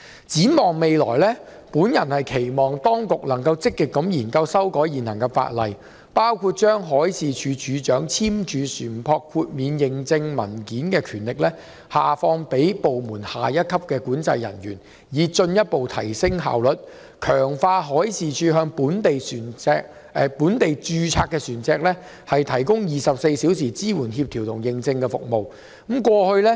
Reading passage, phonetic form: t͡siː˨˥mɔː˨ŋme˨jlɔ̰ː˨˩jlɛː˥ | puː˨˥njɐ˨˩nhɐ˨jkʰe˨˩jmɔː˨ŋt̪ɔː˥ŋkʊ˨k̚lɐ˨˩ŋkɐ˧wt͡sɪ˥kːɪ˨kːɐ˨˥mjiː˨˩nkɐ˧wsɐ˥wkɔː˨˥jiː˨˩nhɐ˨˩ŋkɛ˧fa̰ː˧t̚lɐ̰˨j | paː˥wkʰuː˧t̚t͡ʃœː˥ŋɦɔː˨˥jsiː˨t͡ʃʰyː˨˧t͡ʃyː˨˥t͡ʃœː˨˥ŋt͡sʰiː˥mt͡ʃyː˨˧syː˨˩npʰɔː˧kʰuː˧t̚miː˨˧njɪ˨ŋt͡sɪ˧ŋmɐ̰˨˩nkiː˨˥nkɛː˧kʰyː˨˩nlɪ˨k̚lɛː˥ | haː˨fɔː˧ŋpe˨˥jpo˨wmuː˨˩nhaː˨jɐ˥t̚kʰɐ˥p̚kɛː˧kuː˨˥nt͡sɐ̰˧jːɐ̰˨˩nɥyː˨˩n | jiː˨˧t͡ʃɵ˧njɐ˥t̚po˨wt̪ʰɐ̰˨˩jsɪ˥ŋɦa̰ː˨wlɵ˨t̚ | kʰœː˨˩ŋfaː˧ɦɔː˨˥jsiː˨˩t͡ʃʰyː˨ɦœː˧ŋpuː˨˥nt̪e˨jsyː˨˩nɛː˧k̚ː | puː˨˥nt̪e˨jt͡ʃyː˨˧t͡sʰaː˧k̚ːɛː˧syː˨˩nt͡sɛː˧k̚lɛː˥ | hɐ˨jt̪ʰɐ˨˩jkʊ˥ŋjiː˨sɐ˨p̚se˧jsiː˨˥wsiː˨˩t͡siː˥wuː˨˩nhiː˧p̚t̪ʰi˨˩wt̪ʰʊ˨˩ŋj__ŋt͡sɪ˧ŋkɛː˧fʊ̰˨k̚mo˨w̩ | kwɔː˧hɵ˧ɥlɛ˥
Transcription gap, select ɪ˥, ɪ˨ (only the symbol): ɪ˨